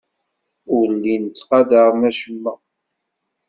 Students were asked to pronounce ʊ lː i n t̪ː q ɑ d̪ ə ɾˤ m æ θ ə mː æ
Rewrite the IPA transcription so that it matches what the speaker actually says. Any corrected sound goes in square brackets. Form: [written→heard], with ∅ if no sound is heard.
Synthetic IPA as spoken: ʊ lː i n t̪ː q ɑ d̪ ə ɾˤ m æ [θ→ʃ] ə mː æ